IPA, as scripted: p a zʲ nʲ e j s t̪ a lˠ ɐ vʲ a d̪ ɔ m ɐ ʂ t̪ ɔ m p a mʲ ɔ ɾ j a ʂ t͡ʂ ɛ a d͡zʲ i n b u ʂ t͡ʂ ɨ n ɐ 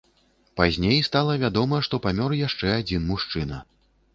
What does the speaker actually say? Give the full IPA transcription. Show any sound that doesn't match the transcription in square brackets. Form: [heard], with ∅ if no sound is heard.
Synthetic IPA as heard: p a zʲ nʲ e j s t̪ a lˠ ɐ vʲ a d̪ ɔ m ɐ ʂ t̪ ɔ [∅] p a mʲ ɔ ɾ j a ʂ t͡ʂ ɛ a d͡zʲ i n [m] u ʂ t͡ʂ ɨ n ɐ